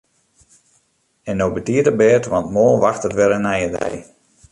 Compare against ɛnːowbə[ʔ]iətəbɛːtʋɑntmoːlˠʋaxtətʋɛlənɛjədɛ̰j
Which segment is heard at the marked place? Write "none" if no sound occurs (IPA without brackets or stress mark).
t